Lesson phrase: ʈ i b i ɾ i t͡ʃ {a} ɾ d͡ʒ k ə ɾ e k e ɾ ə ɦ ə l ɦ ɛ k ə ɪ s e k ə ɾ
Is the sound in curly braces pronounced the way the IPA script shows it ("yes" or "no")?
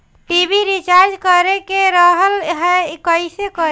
yes